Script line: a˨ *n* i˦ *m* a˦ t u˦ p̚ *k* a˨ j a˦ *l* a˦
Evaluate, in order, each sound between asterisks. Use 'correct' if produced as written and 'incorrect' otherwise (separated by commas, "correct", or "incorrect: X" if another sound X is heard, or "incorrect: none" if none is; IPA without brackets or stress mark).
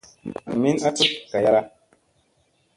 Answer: incorrect: m, incorrect: n, correct, incorrect: ɾ